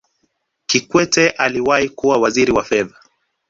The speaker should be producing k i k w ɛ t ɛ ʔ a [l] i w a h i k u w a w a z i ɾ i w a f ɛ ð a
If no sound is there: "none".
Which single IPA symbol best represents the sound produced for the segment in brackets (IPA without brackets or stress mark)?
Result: l